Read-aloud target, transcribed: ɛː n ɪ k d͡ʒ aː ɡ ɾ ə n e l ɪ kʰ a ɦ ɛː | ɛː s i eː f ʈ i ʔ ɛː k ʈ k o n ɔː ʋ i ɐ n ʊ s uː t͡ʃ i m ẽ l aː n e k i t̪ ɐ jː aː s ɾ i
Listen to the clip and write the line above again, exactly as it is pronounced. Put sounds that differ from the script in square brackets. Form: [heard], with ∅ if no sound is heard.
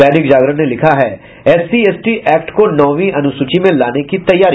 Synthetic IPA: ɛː n ɪ k d͡ʒ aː ɡ ɾ ə n e l ɪ kʰ a ɦ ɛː | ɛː s i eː [s] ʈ i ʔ ɛː k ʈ k o n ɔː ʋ i ɐ n ʊ s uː t͡ʃ i m ẽ l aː n e k i t̪ ɐ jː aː [∅] ɾ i

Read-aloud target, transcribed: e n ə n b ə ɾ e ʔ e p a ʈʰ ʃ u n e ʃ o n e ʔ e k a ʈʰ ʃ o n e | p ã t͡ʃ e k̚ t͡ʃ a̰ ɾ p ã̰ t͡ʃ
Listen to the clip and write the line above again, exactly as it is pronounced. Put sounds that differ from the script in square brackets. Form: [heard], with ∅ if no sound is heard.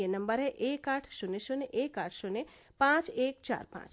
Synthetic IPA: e n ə [m] b ə ɾ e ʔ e [k] a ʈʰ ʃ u n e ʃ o n e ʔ e k a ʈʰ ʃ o n e | p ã t͡ʃ e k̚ t͡ʃ a̰ ɾ p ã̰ t͡ʃ

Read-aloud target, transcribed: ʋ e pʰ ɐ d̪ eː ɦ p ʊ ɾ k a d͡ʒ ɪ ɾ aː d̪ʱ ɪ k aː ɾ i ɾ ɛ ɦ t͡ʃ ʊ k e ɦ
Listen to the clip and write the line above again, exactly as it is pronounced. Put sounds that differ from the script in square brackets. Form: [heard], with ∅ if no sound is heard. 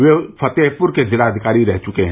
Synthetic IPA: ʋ e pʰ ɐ [t̪] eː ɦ p ʊ ɾ k [e] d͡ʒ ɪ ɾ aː d̪ʱ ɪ k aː ɾ i ɾ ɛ ɦ t͡ʃ ʊ k e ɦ

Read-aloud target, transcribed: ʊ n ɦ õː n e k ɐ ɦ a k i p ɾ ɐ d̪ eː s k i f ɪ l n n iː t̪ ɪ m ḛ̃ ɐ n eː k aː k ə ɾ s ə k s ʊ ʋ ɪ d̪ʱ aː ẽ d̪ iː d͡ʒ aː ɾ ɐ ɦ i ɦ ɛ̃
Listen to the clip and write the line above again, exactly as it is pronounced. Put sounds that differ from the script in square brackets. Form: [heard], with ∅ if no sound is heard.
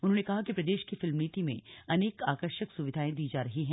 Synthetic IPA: ʊ n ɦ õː n e k ɐ ɦ a k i p ɾ ɐ d̪ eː [ʃ] k i f ɪ l [m] n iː t̪ [i] m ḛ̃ ɐ n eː k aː k ə ɾ [ʃ] ə k s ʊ ʋ ɪ d̪ʱ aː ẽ d̪ iː d͡ʒ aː ɾ ɐ ɦ i ɦ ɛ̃

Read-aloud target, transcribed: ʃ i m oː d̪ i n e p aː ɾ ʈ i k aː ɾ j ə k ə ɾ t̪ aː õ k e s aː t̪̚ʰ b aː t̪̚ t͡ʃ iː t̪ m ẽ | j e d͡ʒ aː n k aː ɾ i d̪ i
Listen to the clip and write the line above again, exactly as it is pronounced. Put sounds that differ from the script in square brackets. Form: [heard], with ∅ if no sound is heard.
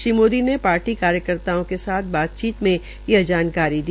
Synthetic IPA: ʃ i m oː d̪ i n e p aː ɾ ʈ i k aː ɾ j ə k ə ɾ t̪ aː õ k e s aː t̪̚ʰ b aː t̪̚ t͡ʃ iː t̪ m ẽ | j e d͡ʒ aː n k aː ɾ i d̪ i

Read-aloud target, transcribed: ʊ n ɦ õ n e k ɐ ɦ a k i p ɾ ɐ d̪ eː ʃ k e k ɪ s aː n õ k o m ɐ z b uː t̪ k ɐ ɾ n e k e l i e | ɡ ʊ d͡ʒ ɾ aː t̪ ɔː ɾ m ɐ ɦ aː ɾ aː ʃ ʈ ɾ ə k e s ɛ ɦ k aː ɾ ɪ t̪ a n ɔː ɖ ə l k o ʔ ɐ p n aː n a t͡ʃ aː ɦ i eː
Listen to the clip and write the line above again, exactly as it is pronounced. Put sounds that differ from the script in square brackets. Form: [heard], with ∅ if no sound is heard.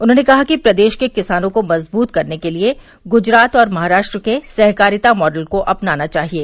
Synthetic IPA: ʊ n ɦ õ n e k ɐ ɦ a k i p ɾ ɐ d̪ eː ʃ k e k ɪ s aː n õ k o m ɐ z b uː t̪ k ɐ ɾ n e k e l i e | ɡ ʊ d͡ʒ ɾ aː t̪ ɔː ɾ m ɐ ɦ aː ɾ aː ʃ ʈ ɾ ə k e s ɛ ɦ k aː ɾ ɪ t̪ a [m] ɔː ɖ ə l k o ʔ ɐ p n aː n a t͡ʃ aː ɦ i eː

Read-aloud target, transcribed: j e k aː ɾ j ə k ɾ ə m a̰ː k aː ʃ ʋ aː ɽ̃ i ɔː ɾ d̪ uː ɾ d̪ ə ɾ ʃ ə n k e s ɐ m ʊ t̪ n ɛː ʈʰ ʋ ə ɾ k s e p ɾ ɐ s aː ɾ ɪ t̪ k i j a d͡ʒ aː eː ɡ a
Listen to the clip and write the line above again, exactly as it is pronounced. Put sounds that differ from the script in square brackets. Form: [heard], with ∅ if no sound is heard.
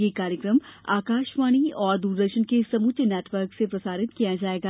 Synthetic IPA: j e k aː ɾ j ə k ɾ ə m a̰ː k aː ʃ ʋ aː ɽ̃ i ɔː ɾ d̪ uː ɾ d̪ ə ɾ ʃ ə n k e s ɐ m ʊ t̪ n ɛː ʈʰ ʋ ə ɾ k s e p ɾ ɐ s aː ɾ ɪ t̪ k i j a d͡ʒ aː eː ɡ a

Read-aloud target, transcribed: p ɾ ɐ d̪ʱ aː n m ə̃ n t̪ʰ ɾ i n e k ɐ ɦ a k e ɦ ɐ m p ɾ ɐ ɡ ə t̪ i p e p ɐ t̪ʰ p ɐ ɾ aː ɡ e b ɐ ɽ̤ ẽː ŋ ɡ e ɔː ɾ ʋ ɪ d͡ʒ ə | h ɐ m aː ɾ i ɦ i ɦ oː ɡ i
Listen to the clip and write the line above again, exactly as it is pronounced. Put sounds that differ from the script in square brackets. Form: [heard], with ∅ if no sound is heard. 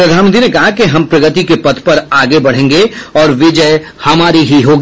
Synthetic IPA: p ɾ ɐ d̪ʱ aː n m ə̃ n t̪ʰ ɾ i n e k ɐ ɦ a k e ɦ ɐ m p ɾ ɐ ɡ ə t̪ i [k] e p ɐ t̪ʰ p ɐ ɾ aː ɡ e b ɐ ɽ̤ ẽː ŋ ɡ e ɔː ɾ ʋ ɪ d͡ʒ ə | h ɐ m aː ɾ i ɦ i ɦ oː ɡ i

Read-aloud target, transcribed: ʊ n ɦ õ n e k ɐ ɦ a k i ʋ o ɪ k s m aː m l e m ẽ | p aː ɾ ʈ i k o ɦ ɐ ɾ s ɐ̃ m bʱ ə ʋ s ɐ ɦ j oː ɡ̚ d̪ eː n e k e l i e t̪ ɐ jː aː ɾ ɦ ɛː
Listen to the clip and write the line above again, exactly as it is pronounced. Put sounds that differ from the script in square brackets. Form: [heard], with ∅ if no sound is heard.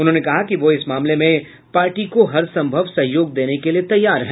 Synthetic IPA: ʊ n ɦ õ n e k ɐ ɦ a k i ʋ o ɪ [∅] s m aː m l e m ẽ | p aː ɾ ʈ i k o ɦ ɐ ɾ s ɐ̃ m bʱ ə ʋ s ɐ ɦ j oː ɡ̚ d̪ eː n e k e l i e t̪ ɐ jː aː ɾ ɦ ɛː

